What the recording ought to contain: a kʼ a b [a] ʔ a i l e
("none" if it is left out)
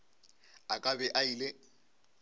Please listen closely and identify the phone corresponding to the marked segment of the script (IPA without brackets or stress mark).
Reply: ɛ